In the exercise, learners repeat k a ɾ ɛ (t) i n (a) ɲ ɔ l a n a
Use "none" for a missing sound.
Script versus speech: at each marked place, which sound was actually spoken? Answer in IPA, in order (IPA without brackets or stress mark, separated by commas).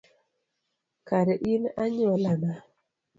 ʔ, a